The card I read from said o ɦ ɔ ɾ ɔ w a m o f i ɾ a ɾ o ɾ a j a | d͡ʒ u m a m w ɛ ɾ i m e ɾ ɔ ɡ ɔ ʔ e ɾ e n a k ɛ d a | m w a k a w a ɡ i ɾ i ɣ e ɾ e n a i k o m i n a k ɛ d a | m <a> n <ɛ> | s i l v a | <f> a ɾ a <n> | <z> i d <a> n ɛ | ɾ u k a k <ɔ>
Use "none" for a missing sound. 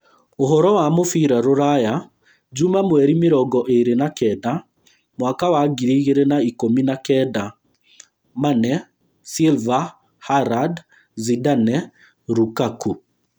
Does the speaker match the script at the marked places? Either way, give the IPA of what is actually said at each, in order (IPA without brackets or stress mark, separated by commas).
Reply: a, ɛ, h, d, z, a, u